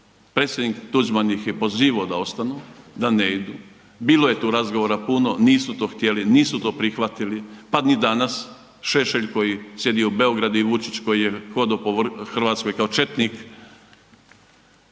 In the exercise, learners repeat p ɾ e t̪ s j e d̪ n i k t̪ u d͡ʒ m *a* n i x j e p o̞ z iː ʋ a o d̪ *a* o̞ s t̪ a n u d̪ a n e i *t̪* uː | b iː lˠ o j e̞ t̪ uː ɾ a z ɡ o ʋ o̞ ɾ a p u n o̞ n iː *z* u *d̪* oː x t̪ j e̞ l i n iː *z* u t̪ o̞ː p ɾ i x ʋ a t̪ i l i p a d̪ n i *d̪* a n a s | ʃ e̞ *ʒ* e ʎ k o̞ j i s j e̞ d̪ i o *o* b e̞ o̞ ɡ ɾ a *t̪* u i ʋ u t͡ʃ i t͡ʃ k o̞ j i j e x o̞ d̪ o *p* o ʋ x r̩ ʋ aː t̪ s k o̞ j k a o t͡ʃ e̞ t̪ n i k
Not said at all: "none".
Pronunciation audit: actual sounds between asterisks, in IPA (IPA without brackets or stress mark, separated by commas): a, a, d̪, s, t̪, s, d̪, ʃ, u, d̪, p